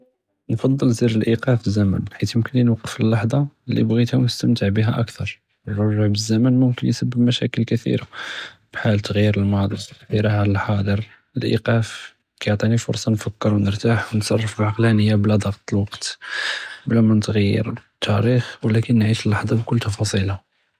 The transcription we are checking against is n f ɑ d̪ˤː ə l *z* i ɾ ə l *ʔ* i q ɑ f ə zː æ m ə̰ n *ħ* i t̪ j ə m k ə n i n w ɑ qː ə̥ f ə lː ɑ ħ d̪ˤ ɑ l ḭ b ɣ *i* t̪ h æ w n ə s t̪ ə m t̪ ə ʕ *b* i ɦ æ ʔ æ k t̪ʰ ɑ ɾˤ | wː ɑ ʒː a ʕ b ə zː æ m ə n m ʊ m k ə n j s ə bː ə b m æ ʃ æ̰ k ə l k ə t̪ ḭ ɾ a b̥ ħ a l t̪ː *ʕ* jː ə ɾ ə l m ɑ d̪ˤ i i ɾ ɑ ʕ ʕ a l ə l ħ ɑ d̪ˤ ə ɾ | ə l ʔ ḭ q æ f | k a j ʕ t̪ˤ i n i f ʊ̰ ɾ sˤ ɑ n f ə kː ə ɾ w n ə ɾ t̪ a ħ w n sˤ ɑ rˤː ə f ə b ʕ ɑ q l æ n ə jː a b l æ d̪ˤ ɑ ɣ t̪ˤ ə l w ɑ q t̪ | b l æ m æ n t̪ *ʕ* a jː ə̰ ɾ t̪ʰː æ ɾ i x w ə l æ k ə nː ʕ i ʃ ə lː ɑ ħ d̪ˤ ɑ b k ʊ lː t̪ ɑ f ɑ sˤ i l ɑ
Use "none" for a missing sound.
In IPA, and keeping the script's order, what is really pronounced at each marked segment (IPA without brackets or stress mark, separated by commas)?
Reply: z, ʔ, ħ, i, b, ɣ, ɣ